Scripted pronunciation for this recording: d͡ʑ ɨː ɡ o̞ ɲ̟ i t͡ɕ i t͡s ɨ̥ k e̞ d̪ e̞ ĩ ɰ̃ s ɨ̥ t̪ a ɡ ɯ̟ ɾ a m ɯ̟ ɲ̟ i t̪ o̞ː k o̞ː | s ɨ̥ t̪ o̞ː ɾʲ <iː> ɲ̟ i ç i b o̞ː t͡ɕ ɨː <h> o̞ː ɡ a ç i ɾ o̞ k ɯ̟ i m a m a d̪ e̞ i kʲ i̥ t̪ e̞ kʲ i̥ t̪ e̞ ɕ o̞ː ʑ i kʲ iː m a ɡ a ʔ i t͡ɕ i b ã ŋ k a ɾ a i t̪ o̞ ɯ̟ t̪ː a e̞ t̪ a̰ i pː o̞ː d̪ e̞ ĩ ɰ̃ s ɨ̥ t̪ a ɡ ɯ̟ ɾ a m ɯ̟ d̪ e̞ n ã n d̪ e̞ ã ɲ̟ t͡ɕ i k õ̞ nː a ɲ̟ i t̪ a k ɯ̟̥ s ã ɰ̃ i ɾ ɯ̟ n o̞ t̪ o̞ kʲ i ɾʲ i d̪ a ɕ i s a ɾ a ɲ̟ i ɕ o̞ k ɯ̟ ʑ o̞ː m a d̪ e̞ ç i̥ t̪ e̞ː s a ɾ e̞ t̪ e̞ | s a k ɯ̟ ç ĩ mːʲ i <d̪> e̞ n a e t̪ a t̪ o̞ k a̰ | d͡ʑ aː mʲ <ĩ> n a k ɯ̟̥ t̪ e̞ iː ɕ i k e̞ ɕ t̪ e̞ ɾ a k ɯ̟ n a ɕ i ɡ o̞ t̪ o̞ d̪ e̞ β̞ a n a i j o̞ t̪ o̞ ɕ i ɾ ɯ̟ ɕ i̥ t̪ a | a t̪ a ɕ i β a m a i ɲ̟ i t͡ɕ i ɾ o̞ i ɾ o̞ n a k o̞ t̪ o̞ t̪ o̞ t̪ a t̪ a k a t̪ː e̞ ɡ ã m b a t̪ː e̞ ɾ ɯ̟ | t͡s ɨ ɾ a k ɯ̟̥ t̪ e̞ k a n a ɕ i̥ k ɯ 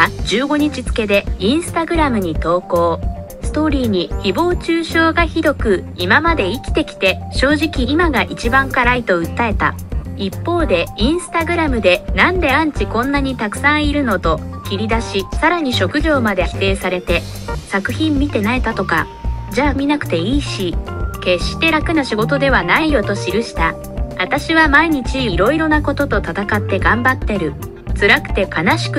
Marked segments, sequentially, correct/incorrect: correct, incorrect: ɕ, incorrect: t̪, incorrect: i

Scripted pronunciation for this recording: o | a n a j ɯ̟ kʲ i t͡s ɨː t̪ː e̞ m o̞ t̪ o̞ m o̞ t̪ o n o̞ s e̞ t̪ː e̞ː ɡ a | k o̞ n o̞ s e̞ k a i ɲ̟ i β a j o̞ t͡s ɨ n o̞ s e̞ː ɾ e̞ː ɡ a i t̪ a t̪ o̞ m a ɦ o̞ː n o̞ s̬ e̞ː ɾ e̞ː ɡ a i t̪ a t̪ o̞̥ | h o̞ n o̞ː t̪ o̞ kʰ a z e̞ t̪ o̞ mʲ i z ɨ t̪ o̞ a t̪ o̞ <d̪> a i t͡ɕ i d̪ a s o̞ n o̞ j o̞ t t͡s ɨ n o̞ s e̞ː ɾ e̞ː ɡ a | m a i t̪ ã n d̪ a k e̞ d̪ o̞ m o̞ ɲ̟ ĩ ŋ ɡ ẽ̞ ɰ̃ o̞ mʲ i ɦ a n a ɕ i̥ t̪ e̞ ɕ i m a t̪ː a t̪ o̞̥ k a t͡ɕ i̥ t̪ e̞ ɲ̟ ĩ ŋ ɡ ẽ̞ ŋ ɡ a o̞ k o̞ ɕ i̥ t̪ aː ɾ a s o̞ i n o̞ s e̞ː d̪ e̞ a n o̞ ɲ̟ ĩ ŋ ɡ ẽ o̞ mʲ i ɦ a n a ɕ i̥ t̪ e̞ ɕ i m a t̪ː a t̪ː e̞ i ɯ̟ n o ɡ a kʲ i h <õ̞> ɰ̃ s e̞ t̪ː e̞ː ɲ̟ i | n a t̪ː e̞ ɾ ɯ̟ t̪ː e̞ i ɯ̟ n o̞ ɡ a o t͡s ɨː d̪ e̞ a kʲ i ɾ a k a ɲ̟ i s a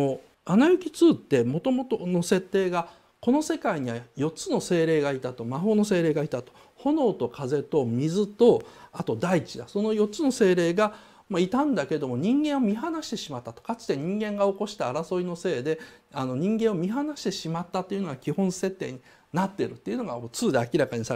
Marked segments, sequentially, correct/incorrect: correct, correct

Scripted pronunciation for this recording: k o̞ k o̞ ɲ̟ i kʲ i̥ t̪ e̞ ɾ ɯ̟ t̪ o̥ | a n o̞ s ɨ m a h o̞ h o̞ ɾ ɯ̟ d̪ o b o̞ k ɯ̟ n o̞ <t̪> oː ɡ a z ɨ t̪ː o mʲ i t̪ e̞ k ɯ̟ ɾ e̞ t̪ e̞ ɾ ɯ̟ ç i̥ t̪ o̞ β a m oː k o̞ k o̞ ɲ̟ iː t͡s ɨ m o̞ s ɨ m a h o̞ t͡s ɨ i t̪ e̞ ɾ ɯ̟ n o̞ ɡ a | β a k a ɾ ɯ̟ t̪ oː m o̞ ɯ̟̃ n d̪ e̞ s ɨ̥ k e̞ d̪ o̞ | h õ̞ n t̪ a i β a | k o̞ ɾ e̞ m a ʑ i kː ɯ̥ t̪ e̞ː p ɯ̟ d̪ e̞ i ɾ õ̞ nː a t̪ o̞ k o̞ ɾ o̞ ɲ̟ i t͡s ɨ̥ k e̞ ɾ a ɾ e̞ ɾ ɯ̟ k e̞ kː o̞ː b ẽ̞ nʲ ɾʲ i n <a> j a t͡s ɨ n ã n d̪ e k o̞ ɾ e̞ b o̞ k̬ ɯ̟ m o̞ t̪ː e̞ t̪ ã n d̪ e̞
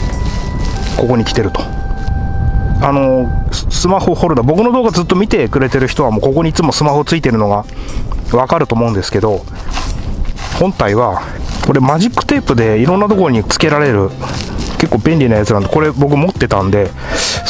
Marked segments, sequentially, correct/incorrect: incorrect: d̪, correct

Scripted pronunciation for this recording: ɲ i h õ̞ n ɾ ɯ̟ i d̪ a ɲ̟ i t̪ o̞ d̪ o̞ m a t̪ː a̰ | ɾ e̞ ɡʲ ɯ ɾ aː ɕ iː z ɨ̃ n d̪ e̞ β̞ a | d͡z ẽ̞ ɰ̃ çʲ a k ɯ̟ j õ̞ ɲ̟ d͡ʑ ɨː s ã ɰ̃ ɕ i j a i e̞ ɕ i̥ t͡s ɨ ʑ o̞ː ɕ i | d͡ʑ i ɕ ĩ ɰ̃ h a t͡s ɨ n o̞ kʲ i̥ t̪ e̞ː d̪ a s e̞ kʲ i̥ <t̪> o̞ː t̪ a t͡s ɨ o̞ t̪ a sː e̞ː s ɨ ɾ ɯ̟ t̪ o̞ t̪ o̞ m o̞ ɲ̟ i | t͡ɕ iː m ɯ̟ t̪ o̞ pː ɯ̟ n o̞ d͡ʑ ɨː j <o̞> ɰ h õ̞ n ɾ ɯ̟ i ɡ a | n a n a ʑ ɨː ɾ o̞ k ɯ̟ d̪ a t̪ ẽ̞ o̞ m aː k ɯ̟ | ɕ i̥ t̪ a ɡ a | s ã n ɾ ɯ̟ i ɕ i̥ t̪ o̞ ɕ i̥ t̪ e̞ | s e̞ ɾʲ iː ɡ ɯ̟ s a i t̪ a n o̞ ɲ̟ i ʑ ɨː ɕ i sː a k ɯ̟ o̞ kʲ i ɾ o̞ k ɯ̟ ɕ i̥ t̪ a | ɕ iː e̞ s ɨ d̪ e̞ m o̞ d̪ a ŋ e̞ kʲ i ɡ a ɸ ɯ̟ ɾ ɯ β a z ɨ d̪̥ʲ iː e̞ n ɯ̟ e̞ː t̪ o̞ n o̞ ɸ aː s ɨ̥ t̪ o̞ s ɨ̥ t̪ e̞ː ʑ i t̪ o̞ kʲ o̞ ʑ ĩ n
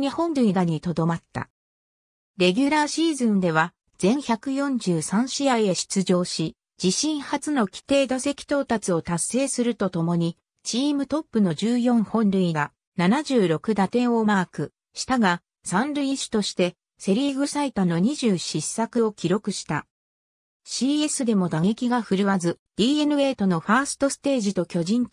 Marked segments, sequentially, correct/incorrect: correct, incorrect: õ̞

